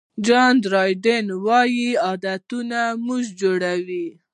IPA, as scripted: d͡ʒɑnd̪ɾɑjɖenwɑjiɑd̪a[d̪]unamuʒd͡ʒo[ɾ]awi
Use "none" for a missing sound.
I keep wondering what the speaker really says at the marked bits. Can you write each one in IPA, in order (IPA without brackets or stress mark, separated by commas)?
t̪, ɽ